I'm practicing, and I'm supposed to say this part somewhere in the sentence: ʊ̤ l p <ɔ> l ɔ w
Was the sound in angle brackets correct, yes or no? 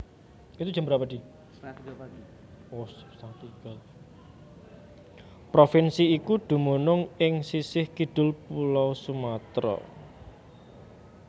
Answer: no